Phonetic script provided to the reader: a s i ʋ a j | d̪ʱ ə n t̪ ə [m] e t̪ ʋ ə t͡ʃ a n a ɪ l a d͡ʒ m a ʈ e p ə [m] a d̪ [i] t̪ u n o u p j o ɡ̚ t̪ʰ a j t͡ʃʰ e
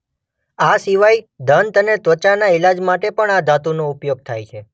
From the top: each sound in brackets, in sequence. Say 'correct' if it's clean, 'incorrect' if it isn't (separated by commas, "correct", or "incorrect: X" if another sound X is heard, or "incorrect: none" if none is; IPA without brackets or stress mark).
incorrect: n, incorrect: ɳ, incorrect: a